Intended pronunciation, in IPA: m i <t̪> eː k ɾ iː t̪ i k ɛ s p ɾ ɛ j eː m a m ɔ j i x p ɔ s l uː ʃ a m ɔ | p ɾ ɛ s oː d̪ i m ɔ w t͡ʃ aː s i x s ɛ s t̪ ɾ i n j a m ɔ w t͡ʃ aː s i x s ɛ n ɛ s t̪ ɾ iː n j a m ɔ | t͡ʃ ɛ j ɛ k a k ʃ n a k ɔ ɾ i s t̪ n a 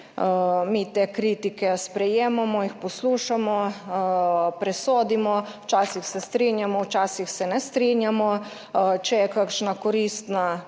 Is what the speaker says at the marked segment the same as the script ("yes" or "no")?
yes